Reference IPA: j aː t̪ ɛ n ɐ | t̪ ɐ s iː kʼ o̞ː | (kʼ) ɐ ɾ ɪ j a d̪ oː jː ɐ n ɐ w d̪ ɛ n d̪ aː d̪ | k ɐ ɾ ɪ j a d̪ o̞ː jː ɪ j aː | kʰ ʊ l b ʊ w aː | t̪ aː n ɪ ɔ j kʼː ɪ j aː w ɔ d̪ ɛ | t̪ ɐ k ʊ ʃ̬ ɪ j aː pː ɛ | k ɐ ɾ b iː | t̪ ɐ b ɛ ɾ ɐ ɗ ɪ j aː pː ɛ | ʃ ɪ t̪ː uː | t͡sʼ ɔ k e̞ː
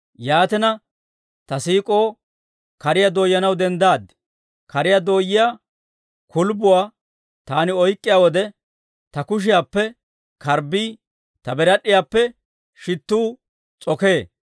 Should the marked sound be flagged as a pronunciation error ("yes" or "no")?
yes